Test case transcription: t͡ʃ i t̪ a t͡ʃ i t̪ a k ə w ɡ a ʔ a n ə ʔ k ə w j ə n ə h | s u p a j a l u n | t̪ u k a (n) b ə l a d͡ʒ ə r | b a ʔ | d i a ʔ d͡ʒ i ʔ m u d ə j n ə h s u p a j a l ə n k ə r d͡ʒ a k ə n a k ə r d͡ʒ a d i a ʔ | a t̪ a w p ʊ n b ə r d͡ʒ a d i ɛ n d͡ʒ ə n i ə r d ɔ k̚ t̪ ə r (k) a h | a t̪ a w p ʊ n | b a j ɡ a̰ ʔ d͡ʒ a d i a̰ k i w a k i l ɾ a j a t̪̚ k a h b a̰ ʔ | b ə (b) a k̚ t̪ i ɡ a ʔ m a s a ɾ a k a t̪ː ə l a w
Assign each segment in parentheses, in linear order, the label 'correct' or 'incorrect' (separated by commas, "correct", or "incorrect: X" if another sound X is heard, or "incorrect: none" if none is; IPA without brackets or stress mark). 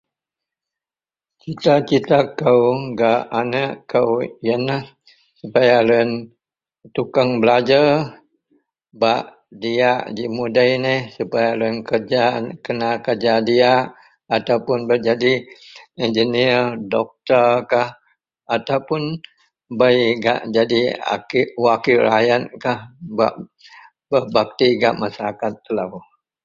incorrect: ŋ, correct, correct